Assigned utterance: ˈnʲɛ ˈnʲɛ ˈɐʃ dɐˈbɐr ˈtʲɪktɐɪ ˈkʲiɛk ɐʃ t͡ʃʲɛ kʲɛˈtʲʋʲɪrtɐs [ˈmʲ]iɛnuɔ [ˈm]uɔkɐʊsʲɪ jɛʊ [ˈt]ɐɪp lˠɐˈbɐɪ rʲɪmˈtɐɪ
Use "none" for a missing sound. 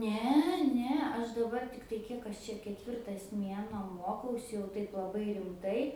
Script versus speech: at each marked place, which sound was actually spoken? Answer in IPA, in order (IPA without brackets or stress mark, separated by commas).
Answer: mʲ, m, t